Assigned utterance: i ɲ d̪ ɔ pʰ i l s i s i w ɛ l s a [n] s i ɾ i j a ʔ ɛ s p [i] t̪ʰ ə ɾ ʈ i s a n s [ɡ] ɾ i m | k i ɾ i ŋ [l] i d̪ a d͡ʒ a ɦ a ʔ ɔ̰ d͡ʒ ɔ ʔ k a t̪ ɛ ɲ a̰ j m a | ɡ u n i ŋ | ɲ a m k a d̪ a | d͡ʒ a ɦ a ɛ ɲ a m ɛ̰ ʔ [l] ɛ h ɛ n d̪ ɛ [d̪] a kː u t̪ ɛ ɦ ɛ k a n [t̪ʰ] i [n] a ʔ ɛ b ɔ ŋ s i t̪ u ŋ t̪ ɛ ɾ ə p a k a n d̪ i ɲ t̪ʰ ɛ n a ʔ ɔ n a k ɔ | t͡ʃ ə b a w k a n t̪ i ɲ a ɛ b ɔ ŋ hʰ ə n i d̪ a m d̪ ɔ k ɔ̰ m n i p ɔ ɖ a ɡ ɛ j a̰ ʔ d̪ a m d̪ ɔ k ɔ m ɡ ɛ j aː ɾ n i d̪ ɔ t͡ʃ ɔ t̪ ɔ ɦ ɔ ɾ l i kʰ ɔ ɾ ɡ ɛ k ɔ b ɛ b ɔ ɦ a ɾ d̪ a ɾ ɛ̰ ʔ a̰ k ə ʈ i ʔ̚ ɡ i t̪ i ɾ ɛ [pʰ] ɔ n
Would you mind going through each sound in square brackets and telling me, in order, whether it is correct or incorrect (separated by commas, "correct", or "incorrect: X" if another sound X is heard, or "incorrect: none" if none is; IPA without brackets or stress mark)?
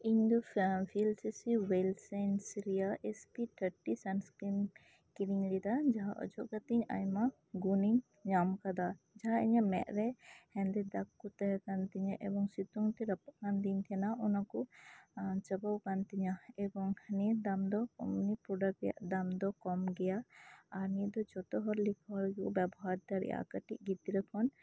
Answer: correct, correct, incorrect: k, correct, incorrect: ɾ, correct, incorrect: t̪, incorrect: ɲ, incorrect: kʰ